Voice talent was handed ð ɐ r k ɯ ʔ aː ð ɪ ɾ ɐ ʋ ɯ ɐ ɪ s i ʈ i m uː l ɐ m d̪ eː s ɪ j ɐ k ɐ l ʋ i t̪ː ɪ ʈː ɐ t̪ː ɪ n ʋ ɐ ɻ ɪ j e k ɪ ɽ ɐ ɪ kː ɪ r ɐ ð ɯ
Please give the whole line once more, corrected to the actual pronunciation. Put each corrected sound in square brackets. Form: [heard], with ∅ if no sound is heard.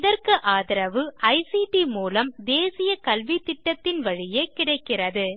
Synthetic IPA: ð ɐ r k ɯ ʔ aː ð ɪ ɾ ɐ ʋ ɯ ɐ ɪ s i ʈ i m uː l ɐ m d̪ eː s ɪ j ɐ k ɐ l ʋ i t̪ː ɪ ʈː ɐ t̪ː ɪ n ʋ ɐ ɻ ɪ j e k ɪ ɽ ɐ ɪ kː ɪ r ɐ ð ɯ